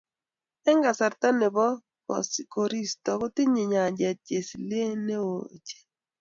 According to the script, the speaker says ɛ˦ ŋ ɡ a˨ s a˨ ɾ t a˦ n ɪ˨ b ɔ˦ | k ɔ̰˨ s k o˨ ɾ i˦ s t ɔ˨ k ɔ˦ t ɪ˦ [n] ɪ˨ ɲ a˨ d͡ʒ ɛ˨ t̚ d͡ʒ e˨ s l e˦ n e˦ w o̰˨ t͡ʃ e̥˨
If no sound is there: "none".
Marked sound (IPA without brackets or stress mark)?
ɲ